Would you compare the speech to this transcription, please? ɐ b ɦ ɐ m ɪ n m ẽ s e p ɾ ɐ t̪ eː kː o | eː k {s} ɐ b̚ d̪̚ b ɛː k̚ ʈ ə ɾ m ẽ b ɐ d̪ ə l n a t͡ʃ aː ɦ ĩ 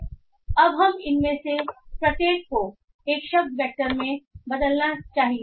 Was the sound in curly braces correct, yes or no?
no